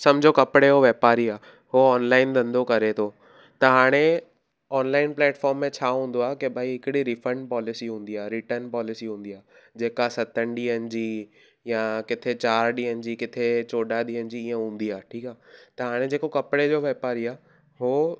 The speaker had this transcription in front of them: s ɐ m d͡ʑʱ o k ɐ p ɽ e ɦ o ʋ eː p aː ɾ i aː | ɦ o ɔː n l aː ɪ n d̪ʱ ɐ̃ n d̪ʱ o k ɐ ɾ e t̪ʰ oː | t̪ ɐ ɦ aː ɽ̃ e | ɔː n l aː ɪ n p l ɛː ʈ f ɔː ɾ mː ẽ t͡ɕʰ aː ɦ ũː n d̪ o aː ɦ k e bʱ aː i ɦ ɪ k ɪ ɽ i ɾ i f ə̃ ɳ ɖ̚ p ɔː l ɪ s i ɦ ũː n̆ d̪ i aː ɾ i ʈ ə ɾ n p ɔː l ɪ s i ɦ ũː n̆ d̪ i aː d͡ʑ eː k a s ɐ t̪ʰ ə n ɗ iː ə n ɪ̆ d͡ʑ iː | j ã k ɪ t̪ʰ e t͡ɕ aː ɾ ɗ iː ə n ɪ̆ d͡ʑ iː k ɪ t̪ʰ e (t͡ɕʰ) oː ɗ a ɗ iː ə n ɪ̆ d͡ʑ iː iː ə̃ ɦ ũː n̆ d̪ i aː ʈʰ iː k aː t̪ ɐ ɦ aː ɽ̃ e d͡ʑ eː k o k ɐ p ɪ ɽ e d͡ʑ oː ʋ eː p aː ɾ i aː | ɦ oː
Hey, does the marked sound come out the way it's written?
no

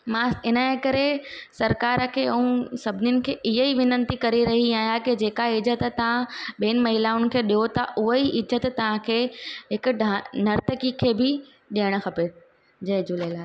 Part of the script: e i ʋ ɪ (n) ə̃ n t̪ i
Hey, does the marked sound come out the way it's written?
yes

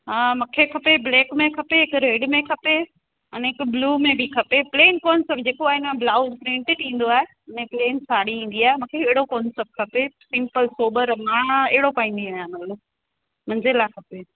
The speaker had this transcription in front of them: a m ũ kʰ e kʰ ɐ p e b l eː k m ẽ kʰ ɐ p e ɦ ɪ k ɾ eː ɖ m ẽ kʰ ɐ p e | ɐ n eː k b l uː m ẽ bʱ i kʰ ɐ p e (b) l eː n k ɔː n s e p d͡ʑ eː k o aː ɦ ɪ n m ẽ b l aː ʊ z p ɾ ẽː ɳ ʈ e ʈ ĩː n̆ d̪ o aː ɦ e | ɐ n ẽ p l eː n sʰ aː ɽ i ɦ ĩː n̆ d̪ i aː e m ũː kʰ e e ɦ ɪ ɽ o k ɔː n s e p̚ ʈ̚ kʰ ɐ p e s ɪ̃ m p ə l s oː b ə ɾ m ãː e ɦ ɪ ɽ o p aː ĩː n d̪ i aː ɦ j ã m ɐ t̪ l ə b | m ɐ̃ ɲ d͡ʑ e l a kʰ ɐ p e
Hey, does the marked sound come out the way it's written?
no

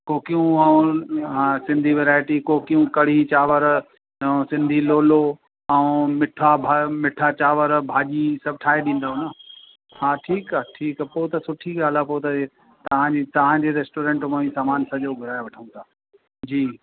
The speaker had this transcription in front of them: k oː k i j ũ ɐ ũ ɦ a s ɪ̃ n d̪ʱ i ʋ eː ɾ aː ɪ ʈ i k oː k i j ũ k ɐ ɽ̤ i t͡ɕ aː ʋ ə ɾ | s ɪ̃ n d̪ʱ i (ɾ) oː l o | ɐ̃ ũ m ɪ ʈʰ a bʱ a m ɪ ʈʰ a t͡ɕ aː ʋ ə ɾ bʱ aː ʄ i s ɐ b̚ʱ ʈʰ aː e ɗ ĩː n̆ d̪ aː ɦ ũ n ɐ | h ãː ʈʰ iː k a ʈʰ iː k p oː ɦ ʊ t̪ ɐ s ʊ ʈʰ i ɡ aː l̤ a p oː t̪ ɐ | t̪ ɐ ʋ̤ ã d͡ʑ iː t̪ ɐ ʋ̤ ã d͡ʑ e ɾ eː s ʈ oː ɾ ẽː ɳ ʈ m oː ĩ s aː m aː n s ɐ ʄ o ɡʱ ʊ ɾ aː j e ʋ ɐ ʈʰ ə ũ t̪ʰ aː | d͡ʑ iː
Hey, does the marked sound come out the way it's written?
no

